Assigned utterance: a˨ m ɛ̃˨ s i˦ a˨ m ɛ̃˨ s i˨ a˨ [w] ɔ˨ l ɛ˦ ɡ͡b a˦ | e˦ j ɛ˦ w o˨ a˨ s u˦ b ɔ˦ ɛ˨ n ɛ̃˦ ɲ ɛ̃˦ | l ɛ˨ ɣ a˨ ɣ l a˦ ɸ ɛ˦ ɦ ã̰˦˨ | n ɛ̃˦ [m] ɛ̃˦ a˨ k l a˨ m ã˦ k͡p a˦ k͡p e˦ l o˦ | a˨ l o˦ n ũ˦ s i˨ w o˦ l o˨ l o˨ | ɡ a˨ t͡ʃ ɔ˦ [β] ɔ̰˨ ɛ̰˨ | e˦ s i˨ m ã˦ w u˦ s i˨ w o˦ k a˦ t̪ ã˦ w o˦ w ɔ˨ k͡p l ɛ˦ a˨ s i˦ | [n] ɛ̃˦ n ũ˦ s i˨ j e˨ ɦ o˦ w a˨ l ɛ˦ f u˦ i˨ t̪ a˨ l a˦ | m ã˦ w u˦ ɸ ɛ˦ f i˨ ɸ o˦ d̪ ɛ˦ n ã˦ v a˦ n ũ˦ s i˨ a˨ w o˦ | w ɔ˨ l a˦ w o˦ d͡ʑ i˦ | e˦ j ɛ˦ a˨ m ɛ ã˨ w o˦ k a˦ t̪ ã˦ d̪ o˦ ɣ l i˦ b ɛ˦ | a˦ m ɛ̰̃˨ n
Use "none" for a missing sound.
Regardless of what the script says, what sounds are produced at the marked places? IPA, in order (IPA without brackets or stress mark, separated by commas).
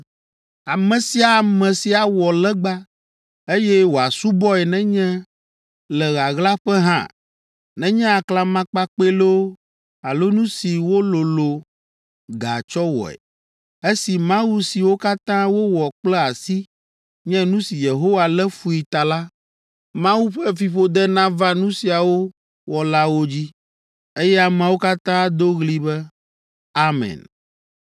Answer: w, ɲ, w, ɲ